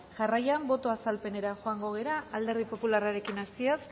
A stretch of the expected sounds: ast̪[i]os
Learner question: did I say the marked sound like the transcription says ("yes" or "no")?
yes